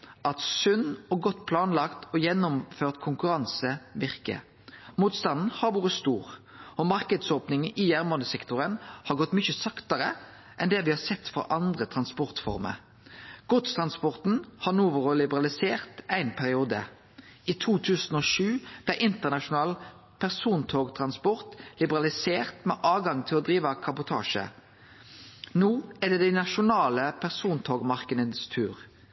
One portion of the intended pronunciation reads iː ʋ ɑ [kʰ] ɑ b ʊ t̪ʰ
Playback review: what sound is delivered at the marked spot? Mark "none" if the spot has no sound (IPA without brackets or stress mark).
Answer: kʰ